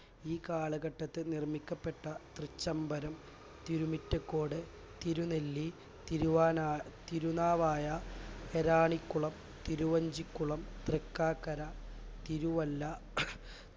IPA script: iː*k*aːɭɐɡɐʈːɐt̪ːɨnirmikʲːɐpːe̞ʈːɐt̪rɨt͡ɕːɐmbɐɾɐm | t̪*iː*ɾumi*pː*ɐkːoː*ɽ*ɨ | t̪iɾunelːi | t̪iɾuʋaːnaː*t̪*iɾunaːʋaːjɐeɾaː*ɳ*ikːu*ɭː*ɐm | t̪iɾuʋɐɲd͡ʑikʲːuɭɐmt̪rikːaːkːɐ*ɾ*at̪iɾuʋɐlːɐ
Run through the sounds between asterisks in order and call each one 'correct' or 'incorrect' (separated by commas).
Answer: correct, incorrect, incorrect, correct, correct, correct, incorrect, correct